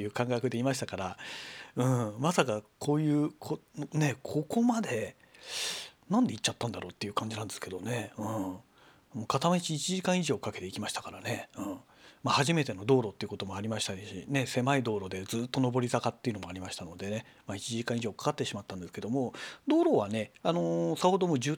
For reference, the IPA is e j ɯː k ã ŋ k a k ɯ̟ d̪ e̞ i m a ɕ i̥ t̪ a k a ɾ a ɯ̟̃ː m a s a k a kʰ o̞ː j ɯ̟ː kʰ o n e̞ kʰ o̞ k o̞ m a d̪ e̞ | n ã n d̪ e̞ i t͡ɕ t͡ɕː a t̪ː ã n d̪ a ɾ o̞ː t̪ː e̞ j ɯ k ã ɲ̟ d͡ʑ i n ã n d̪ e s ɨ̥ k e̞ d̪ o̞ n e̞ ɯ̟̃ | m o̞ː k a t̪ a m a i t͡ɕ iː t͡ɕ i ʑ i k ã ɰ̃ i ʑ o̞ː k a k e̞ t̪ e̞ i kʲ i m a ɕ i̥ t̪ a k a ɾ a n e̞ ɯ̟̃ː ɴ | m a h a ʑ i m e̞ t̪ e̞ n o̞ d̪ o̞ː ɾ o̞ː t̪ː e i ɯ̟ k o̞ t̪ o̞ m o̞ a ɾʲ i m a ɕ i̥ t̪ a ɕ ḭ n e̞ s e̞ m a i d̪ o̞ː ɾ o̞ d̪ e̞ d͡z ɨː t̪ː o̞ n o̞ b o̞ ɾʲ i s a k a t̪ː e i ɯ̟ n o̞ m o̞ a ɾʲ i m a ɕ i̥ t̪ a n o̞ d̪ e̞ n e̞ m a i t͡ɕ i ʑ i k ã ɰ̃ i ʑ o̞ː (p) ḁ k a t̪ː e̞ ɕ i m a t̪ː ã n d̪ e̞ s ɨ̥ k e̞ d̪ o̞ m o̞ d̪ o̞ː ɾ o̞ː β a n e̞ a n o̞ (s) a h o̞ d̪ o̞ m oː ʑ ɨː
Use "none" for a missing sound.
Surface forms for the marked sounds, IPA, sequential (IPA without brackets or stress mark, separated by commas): k, s